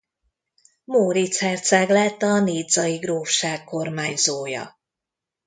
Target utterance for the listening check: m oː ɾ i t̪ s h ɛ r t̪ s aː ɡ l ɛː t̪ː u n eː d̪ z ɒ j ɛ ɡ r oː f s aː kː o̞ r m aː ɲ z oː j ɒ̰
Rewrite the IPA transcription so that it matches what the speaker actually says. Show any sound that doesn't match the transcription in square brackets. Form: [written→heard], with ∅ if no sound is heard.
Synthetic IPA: m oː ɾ i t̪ s h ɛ r t̪ s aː ɡ l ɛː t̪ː [u→ɒ] n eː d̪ z ɒ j [ɛ→i] ɡ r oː f [s→ʃ] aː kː o̞ r m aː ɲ z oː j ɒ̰